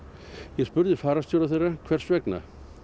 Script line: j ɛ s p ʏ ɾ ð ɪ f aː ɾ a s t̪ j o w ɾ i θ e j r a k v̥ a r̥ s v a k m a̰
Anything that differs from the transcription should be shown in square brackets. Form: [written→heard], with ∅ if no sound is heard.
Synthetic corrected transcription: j ɛ s p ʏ ɾ ð ɪ f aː ɾ a s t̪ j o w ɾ [i→a] θ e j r a [k→kʰ] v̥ [a→ɛ] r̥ s v [a→ɛ] k [m→n] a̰

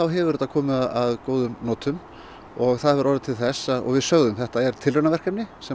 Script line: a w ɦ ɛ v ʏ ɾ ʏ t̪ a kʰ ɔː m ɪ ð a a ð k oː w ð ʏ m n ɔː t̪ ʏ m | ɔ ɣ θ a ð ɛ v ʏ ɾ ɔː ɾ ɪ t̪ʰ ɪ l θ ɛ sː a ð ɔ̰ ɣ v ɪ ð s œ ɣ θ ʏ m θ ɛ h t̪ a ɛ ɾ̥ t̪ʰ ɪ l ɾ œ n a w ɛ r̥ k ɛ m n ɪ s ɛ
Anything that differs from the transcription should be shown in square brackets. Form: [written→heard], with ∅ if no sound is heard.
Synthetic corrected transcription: a w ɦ ɛ v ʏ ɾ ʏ t̪ a kʰ ɔː m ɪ ð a a ð k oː w ð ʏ m n ɔː t̪ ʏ m | ɔ ɣ θ a ð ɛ v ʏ ɾ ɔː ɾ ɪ t̪ʰ ɪ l θ ɛ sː a ð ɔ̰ ɣ v ɪ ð s œ ɣ [θ→ð] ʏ m θ ɛ h t̪ a ɛ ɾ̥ t̪ʰ ɪ l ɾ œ n a [w→v] ɛ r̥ k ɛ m n ɪ s ɛ

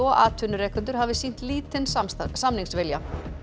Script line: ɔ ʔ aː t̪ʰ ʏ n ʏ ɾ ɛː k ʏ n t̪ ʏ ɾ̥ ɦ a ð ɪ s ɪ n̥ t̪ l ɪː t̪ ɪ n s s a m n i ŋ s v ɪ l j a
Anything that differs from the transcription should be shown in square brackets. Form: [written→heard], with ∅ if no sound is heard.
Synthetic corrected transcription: ɔ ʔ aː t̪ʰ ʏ n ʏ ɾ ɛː k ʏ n t̪ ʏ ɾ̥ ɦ a [ð→v] ɪ s [ɪ→i] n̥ t̪ l [ɪː→iː] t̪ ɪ n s s a m n i ŋ s v ɪ l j a

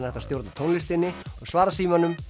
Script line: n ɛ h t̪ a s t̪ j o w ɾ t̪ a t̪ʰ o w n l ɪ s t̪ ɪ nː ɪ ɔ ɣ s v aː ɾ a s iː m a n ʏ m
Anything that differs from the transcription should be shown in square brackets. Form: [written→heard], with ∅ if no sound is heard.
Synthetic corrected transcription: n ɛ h t̪ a s t̪ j o w ɾ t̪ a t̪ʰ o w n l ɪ s t̪ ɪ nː ɪ ɔ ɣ s v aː ɾ a s iː m a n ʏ m

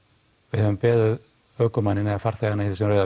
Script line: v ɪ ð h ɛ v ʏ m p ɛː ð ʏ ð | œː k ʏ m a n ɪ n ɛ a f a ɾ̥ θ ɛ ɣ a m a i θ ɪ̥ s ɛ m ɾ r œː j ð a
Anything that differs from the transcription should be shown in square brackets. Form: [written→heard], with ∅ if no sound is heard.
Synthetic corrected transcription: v ɪ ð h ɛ v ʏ m p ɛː ð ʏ ð | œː k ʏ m a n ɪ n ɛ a f a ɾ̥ θ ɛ ɣ a [m→n] a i θ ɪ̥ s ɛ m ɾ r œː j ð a

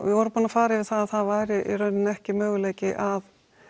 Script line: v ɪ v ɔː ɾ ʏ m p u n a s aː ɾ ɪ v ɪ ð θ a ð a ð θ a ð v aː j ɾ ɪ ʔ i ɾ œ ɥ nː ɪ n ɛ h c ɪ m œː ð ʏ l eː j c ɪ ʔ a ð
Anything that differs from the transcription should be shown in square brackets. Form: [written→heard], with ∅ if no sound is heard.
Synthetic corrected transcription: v ɪ v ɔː ɾ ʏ m p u n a [s→f] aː ɾ ɪ v ɪ ð θ a ð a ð θ a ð v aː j ɾ ɪ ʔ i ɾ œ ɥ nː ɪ n ɛ h c ɪ m œː [ð→ɣ] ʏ l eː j c ɪ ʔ a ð

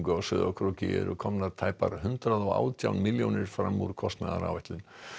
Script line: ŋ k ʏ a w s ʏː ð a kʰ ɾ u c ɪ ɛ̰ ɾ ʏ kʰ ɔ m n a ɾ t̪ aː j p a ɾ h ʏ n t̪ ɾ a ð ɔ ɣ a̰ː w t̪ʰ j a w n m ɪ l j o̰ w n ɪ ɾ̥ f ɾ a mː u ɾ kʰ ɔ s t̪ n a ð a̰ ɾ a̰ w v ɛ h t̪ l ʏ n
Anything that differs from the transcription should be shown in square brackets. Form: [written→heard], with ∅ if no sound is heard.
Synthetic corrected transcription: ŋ k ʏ a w s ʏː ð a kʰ ɾ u c ɪ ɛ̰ ɾ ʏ kʰ ɔ m n a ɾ [t̪→t̪ʰ] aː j p a ɾ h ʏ n t̪ ɾ a ð ɔ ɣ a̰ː w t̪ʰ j a w n m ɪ l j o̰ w n ɪ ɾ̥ f ɾ a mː u ɾ kʰ ɔ s t̪ n a ð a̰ ɾ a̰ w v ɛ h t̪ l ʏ n

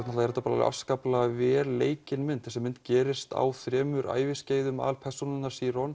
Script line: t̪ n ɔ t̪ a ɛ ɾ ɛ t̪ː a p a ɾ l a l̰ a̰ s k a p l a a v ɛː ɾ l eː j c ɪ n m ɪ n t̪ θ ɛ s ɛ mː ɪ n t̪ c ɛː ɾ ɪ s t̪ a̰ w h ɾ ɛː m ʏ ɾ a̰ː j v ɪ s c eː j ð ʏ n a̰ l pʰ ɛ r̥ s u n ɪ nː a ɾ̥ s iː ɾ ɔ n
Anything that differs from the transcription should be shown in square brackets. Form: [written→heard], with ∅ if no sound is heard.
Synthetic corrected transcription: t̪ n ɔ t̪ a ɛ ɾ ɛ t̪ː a p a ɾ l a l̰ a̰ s k a p l a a v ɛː ɾ l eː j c ɪ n m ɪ n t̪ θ ɛ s ɛ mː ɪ n t̪ c ɛː ɾ ɪ s t̪ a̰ w [h→θ] ɾ ɛː m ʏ ɾ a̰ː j v ɪ s c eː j ð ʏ [n→m] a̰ l pʰ ɛ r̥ s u n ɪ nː a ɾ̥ s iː ɾ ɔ n

